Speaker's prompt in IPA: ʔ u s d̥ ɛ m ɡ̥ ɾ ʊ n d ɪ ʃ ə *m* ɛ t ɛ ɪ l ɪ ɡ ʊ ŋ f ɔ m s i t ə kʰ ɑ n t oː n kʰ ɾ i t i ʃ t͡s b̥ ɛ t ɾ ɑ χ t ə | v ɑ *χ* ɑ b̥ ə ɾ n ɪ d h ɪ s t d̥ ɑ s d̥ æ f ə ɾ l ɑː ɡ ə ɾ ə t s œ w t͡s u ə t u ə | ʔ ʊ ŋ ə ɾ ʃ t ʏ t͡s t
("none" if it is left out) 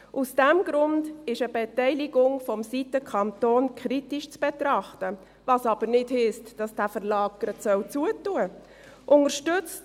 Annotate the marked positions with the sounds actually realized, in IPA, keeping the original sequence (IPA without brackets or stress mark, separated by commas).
b, s